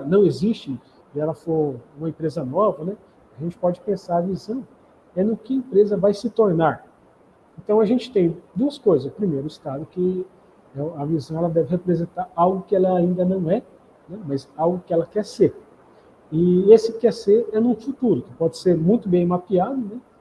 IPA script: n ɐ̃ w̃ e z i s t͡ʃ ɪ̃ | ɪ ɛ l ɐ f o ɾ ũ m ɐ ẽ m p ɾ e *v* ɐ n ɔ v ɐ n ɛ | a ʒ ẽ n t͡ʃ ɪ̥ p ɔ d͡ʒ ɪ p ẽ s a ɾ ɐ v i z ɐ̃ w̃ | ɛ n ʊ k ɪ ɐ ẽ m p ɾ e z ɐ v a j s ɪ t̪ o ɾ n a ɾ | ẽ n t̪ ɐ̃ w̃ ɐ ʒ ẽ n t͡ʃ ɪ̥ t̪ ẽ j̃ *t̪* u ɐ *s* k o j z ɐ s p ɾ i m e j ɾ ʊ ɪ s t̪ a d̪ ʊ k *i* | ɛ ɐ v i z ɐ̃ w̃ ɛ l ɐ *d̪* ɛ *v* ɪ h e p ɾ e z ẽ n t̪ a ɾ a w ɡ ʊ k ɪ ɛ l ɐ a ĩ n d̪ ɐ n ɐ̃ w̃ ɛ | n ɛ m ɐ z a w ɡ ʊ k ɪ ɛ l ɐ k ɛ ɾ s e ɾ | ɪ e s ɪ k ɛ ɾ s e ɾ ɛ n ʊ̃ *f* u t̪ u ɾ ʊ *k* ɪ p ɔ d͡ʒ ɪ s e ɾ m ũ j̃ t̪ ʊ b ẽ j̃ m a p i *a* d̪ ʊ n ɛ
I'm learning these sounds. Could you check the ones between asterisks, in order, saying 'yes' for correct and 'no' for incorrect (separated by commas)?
no, no, yes, no, yes, yes, yes, yes, yes